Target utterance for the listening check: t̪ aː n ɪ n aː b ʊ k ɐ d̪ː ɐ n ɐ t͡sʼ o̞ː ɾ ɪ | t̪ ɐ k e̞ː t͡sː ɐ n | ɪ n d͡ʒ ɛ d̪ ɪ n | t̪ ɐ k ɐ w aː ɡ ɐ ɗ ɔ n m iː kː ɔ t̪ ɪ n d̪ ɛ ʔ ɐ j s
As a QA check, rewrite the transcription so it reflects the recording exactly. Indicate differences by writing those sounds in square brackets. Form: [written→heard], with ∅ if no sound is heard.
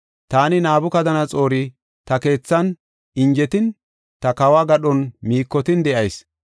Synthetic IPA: t̪ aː n ɪ n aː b ʊ k ɐ [d̪ː→d̪] ɐ n ɐ t͡sʼ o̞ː ɾ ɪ | t̪ ɐ k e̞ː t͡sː ɐ n | ɪ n d͡ʒ ɛ [d̪→t̪] ɪ n | t̪ ɐ k ɐ w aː ɡ ɐ ɗ ɔ n m iː kː ɔ t̪ ɪ n d̪ ɛ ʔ ɐ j s